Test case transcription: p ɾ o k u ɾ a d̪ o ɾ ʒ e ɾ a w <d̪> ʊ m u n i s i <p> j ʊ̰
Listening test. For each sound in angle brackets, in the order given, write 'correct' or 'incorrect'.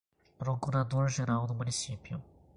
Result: correct, correct

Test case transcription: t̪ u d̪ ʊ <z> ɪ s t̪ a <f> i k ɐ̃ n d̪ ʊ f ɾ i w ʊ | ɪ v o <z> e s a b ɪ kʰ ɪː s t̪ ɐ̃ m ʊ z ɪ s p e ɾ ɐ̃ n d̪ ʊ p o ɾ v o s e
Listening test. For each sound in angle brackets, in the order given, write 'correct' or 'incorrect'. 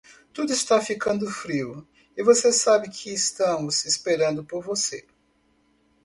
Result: incorrect, correct, incorrect

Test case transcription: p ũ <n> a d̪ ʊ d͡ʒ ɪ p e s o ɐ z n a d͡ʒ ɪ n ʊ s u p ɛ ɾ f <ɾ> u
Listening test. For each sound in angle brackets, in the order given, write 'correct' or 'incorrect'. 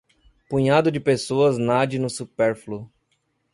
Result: incorrect, incorrect

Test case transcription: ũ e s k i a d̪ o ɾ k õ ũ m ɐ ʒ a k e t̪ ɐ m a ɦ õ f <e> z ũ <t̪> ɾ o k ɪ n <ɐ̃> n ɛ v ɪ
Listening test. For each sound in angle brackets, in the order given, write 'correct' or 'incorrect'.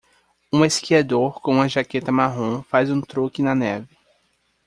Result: incorrect, correct, incorrect

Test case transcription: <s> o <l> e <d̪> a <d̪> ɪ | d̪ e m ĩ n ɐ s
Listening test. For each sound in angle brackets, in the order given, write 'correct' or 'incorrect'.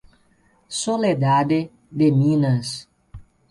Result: correct, correct, correct, correct

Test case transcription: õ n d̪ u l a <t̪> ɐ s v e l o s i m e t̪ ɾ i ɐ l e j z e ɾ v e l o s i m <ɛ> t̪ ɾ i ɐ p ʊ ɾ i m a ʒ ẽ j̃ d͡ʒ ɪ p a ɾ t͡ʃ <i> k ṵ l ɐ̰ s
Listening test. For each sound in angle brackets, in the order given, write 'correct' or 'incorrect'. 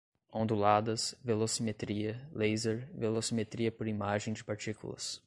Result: incorrect, incorrect, correct

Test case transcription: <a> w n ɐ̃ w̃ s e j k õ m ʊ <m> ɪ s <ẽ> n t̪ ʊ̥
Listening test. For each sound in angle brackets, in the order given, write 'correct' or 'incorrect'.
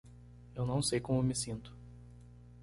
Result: incorrect, correct, incorrect

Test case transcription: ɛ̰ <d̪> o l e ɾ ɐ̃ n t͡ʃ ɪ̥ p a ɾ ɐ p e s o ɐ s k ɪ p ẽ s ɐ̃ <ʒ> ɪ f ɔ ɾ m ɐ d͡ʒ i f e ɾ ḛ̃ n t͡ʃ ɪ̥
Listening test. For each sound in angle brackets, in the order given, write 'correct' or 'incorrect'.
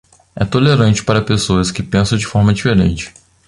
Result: incorrect, incorrect

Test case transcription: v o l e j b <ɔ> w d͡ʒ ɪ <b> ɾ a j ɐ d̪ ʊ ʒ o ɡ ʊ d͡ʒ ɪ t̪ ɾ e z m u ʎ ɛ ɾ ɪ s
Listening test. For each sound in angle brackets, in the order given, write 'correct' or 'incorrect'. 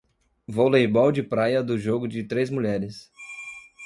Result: correct, incorrect

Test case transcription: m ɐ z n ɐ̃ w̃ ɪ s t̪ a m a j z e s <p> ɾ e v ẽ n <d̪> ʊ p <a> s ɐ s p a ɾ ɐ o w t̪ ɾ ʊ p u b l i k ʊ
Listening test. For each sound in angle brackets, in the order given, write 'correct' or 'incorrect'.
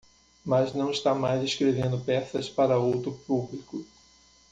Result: incorrect, correct, incorrect

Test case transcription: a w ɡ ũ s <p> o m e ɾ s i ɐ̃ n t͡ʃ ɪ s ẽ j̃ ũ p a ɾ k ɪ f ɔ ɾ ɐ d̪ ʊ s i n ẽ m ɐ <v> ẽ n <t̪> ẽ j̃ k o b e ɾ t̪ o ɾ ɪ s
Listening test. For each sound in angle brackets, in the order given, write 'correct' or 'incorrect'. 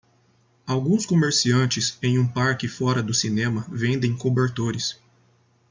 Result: incorrect, correct, incorrect

